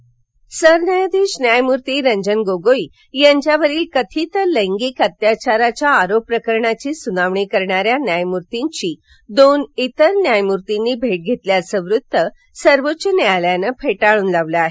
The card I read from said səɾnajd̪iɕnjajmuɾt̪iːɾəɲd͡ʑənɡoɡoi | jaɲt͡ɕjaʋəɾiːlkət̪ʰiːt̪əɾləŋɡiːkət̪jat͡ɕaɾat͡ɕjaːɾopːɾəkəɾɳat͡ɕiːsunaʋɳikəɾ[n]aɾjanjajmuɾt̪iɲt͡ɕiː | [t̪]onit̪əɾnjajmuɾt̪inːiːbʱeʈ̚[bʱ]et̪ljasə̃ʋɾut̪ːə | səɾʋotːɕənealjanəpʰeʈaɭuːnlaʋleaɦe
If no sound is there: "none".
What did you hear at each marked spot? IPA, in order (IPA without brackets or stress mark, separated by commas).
ɳ, d̪, ɡʱ